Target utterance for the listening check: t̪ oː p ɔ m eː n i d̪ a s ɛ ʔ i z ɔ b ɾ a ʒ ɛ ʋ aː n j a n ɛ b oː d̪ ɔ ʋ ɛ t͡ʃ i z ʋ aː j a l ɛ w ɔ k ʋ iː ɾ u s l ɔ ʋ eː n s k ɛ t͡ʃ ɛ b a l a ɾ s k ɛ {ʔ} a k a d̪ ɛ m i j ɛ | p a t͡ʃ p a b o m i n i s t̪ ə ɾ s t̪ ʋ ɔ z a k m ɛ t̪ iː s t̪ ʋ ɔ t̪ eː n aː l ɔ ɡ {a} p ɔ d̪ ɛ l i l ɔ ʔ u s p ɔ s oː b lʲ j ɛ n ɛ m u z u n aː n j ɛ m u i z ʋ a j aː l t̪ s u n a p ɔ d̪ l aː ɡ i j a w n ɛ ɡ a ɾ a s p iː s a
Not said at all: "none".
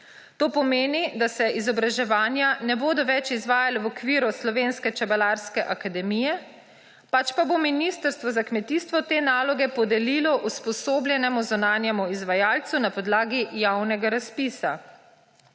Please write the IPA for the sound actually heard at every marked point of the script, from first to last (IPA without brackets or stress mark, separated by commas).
ʔ, ɛ